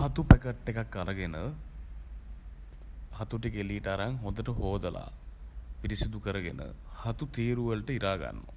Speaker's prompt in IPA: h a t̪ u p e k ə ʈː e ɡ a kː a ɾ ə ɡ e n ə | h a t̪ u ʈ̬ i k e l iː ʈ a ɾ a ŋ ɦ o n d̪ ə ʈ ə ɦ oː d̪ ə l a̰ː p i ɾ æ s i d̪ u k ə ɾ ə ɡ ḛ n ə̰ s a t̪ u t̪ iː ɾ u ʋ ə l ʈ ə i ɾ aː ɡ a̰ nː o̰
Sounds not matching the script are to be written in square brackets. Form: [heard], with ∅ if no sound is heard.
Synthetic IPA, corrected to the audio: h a t̪ u p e k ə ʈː e [k] a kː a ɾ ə ɡ e n ə | h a t̪ u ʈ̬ i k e l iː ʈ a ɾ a ŋ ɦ o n d̪ ə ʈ ə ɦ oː d̪ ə l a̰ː p i ɾ [i] s i d̪ u k ə ɾ ə ɡ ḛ n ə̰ [h] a t̪ u t̪ iː ɾ u ʋ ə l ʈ ə i ɾ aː ɡ a̰ nː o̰